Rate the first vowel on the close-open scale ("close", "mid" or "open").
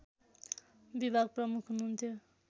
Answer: close